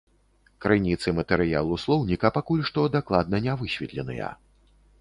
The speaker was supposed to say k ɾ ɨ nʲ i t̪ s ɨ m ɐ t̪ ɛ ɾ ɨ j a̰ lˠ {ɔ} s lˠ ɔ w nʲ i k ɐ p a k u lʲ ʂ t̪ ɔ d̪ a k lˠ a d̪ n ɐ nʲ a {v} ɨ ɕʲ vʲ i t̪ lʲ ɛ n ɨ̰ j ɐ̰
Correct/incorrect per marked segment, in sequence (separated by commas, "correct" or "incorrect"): incorrect, correct